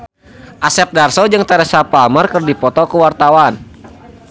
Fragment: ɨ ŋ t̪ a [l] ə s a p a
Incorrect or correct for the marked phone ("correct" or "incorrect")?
incorrect